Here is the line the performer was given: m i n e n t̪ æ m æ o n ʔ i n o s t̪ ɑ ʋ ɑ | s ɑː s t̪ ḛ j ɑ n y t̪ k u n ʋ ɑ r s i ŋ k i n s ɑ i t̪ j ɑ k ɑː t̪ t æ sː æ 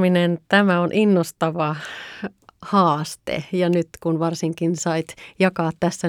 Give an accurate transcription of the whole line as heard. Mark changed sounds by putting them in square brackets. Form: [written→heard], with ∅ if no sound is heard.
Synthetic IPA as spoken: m i n e n t̪ æ m æ o n ʔ i [n→nː] o s t̪ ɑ ʋ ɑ | [s→h] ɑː s t̪ ḛ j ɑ n y t̪ k u n ʋ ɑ r s i ŋ k i n s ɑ i t̪ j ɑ k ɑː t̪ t æ sː æ